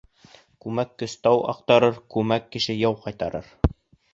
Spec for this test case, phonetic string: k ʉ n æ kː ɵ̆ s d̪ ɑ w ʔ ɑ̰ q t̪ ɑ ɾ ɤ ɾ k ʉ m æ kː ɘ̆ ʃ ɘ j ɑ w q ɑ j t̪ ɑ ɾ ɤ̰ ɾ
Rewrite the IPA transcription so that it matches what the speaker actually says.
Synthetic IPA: k ʉ m æ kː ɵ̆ s t̪ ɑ w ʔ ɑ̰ q t̪ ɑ ɾ ɤ ɾ k ʉ m æ kː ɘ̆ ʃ ɘ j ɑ w q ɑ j t̪ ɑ ɾ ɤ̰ ɾ